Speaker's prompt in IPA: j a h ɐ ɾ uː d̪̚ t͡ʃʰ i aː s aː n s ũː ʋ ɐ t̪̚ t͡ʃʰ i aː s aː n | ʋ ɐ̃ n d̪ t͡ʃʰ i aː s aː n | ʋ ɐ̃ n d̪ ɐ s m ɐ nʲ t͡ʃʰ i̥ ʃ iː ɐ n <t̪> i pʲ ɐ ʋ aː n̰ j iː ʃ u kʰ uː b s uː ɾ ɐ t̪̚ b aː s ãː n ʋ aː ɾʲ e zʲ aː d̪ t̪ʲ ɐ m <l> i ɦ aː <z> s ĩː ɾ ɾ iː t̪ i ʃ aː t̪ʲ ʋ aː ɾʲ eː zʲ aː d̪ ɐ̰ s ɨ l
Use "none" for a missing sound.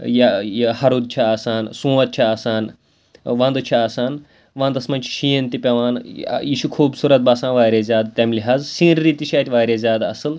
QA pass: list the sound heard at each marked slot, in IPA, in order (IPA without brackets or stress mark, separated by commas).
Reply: t̪, l, z